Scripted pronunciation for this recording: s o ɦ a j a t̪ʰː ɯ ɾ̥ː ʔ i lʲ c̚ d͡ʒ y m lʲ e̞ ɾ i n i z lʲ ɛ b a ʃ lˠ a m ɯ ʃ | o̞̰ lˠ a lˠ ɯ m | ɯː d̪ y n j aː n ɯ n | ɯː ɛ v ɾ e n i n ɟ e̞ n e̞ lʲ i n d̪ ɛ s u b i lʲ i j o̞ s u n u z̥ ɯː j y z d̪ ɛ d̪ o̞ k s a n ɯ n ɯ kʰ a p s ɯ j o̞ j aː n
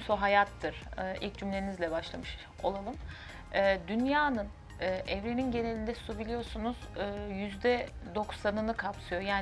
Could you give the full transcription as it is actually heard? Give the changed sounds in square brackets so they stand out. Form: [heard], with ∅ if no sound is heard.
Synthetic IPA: s o ɦ a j a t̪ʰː ɯ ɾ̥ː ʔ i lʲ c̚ d͡ʒ y m lʲ e̞ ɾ i n i z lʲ ɛ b a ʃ lˠ a m ɯ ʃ | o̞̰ lˠ a lˠ ɯ m | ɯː d̪ y n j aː n ɯ n | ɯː ɛ v ɾ e n i n ɟ e̞ n e̞ lʲ i n d̪ ɛ s u b i lʲ i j o̞ s u n u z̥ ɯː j y z d̪ ɛ d̪ o̞ k s a n ɯ n ɯ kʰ a p s ɯ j o̞ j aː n